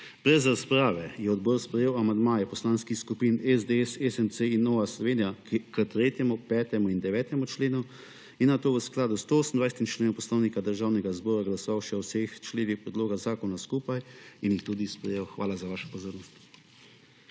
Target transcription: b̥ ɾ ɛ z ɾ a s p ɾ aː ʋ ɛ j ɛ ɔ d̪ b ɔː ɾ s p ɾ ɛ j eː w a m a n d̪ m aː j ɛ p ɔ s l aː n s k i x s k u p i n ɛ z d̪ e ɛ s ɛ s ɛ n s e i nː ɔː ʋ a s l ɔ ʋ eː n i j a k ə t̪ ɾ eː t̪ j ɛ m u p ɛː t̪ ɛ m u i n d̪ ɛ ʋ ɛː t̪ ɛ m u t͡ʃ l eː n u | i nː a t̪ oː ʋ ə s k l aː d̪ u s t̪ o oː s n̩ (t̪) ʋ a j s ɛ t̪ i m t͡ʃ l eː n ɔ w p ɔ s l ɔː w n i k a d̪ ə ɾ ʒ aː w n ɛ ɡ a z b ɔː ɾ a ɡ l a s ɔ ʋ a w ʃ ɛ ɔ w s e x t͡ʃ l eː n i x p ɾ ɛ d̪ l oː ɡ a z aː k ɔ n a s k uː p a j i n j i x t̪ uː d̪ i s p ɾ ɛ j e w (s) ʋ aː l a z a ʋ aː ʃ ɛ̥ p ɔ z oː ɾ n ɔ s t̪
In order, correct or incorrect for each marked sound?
incorrect: d̪, incorrect: x

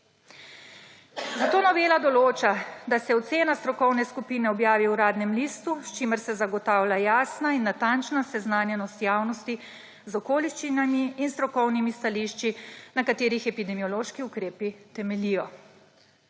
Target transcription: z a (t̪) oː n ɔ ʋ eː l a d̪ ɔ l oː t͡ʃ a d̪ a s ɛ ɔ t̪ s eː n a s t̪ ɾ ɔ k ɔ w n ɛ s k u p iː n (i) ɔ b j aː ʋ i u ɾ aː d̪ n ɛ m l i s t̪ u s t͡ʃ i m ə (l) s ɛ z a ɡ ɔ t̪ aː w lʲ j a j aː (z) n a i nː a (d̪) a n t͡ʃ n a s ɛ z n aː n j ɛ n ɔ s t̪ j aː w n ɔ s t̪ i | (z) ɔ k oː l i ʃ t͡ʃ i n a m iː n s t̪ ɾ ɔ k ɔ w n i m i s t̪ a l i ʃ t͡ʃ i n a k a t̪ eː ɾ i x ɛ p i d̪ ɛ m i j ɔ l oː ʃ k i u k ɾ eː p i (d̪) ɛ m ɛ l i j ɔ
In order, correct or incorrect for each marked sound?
correct, incorrect: ɛ, incorrect: ɾ, incorrect: s, incorrect: t̪, correct, incorrect: t̪

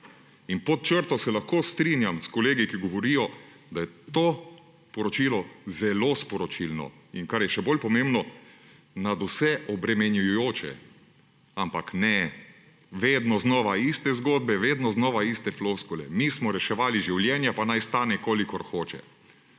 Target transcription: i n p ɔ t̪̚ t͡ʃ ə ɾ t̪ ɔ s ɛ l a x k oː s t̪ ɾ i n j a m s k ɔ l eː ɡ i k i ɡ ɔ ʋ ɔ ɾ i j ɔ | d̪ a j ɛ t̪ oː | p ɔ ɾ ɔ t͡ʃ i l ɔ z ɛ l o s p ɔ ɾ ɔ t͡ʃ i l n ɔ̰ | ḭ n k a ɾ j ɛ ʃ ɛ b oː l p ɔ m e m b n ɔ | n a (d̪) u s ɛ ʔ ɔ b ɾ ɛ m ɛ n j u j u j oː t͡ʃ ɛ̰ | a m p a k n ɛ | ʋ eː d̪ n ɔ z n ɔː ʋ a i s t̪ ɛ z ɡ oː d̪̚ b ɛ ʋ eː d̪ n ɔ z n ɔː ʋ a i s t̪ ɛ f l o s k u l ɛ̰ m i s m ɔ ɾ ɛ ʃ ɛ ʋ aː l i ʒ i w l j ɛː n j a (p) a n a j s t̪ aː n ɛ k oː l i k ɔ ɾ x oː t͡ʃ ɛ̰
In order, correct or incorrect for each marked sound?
correct, correct

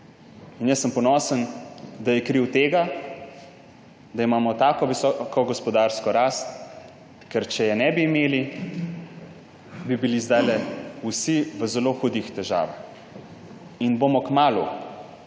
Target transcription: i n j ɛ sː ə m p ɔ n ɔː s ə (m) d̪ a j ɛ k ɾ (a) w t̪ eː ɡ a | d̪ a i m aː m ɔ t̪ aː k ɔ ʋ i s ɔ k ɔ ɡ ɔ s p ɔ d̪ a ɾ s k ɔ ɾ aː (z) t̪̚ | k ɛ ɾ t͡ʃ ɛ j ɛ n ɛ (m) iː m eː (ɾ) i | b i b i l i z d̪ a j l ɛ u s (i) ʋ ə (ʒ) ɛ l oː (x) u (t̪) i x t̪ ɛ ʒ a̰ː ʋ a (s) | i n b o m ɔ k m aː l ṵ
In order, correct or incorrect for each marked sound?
incorrect: n, incorrect: i, incorrect: s, incorrect: b, incorrect: l, correct, incorrect: z, correct, incorrect: d̪, incorrect: x

